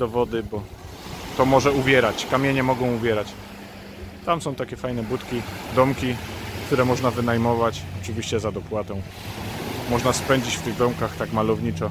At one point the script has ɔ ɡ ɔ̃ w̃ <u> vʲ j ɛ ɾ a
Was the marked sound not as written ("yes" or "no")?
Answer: no